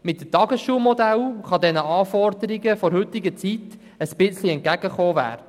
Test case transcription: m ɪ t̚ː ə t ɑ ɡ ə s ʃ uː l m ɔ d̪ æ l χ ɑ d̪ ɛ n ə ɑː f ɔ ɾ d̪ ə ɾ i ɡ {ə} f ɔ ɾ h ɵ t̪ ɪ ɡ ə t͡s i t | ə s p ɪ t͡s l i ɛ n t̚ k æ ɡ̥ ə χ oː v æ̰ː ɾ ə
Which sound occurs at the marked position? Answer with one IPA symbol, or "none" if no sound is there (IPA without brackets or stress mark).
ə